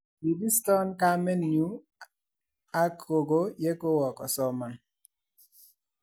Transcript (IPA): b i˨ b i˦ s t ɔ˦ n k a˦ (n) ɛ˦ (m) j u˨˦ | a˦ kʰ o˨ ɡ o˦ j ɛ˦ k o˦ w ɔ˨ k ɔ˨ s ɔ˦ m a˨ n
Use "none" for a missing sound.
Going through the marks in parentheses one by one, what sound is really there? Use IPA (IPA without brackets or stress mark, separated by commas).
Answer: m, n